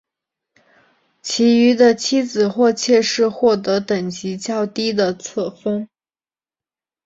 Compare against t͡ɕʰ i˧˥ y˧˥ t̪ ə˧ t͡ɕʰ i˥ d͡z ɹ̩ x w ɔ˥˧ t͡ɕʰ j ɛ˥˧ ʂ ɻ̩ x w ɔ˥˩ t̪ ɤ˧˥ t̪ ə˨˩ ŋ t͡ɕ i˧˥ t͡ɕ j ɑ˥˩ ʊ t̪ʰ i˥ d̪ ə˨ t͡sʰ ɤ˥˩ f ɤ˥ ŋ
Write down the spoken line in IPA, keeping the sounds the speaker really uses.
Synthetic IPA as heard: t͡ɕʰ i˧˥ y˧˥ d̪ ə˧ t͡ɕʰ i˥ d͡z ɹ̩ x w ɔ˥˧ t͡ɕʰ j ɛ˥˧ ʂ ɻ̩ x w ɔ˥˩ t̪ ɤ˧˥ t̪ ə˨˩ ŋ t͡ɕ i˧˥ t͡ɕ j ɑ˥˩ ʊ t̪ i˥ d̪ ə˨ t͡sʰ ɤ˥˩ f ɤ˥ ŋ